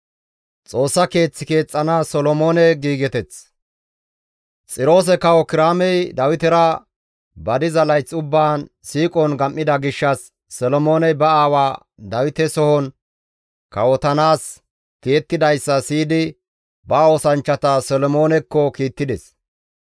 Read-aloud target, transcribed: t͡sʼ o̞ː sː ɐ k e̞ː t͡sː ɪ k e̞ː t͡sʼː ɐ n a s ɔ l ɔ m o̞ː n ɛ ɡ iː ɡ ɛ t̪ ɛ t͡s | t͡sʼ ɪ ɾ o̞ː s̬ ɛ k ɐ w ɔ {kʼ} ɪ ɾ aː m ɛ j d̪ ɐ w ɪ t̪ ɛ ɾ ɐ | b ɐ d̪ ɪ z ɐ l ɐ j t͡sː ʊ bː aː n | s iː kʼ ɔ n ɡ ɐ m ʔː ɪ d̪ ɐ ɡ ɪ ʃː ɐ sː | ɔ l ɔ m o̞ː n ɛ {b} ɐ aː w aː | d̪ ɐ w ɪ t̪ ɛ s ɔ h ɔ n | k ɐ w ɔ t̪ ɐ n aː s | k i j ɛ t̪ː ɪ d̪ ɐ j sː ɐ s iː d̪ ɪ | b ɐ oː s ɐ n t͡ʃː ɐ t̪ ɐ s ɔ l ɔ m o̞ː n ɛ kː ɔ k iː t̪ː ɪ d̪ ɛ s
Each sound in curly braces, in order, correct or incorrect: incorrect: k, correct

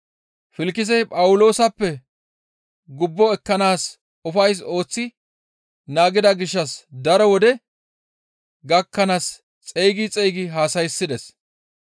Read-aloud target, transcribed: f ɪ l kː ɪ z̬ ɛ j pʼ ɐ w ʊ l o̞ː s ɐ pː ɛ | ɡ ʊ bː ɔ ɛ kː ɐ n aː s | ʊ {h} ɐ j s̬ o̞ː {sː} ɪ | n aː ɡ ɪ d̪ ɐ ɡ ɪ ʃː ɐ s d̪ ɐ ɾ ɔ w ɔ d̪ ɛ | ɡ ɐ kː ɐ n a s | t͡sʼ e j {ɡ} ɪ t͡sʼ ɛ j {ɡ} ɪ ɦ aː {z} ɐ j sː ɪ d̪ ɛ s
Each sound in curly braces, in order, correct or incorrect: incorrect: f, incorrect: t͡sː, correct, correct, incorrect: s

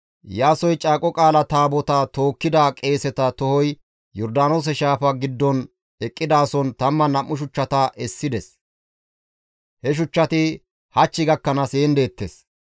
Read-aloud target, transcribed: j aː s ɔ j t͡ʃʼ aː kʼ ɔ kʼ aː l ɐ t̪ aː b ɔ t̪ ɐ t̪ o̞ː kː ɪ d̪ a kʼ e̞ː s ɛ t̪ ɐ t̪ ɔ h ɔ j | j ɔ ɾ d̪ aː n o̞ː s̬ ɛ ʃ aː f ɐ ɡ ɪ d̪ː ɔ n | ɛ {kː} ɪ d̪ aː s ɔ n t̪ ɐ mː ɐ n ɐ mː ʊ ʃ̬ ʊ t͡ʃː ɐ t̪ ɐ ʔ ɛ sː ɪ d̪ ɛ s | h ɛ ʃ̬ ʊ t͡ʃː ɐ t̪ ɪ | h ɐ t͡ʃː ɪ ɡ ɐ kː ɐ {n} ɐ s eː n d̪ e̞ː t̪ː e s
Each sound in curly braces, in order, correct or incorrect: incorrect: kʼː, correct

